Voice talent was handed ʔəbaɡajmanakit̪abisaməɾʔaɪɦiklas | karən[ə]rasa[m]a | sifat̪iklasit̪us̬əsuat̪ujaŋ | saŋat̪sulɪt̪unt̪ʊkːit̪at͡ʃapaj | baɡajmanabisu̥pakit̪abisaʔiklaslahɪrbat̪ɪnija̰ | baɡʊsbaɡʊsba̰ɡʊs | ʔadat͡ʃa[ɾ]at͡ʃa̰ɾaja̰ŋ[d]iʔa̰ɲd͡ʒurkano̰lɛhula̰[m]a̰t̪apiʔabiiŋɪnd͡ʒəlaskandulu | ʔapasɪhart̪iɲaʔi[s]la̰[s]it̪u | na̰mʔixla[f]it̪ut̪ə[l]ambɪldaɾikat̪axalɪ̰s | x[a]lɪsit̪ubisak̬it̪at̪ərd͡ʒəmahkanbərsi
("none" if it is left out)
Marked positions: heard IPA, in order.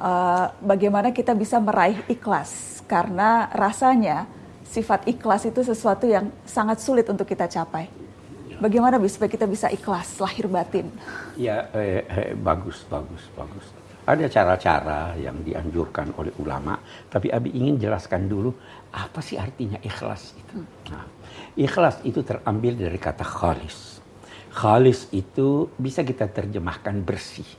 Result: a, ɲ, ɾ, d, m, x, s, s, r, a

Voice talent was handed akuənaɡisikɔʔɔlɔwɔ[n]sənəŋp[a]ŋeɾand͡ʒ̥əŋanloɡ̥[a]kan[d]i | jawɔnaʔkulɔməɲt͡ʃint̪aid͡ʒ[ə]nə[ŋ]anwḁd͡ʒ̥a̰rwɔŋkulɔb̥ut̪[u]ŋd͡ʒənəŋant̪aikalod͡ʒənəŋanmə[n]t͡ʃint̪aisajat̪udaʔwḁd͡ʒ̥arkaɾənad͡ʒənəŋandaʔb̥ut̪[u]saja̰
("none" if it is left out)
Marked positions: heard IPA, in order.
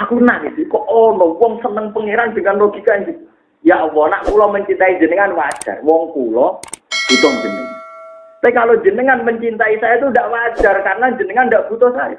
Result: ŋ, ə, i, d͡ʒ, ə, ŋ, ɔ, ɲ, ɔ

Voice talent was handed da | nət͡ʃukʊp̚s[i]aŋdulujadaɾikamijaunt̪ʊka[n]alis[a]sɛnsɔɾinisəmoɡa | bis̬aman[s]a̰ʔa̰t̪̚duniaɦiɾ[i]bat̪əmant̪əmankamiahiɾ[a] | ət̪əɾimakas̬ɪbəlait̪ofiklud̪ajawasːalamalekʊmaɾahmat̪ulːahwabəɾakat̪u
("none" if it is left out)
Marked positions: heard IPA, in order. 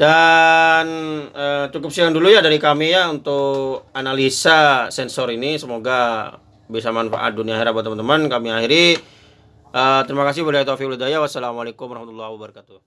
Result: i, n, a, f, a, i

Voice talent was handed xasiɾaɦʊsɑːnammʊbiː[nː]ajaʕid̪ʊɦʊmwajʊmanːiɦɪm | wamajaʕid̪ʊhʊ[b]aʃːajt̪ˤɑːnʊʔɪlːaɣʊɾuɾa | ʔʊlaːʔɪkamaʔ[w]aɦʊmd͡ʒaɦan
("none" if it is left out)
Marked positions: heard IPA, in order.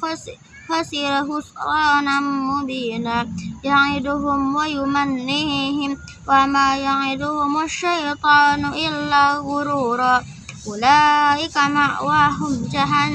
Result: n, m, w

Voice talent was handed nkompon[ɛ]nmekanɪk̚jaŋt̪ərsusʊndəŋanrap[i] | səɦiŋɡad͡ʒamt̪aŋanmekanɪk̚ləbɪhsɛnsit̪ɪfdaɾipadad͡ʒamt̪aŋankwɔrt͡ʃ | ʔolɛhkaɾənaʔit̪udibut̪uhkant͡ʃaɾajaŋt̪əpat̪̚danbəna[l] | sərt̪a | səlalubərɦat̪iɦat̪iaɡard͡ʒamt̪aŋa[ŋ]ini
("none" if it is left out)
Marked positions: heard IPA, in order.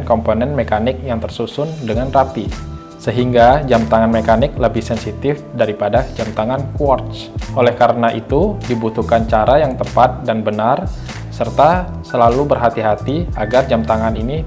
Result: ɛ, i, r, n

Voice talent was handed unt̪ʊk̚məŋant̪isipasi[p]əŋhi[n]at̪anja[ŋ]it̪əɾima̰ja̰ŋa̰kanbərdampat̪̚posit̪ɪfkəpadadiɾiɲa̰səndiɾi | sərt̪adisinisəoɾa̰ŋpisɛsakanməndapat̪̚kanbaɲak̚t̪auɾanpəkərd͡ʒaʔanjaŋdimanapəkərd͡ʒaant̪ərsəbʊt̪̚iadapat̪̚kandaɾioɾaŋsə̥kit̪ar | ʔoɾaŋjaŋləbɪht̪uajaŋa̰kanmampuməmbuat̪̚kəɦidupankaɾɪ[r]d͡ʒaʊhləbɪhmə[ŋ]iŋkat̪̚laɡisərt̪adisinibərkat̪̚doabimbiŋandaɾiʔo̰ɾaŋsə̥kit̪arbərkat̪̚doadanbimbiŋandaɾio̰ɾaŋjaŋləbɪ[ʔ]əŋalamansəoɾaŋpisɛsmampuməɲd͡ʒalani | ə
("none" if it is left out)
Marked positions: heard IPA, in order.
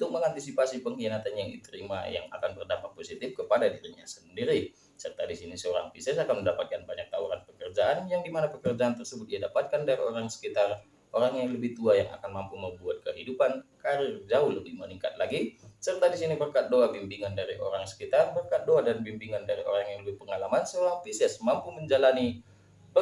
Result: p, n, ŋ, r, n, p

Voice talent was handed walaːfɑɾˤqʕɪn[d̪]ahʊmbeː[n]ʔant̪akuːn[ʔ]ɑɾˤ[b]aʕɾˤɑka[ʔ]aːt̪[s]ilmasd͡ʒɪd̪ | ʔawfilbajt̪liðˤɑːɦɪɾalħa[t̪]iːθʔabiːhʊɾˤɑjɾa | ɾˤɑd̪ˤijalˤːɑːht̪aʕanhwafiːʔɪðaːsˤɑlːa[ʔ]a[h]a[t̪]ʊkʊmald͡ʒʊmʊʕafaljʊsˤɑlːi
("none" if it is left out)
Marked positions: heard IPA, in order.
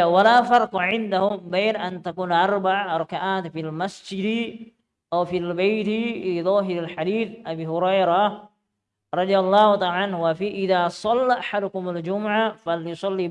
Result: d̪, n, ʔ, b, ʔ, f, d̪, ʔ, ħ, d̪

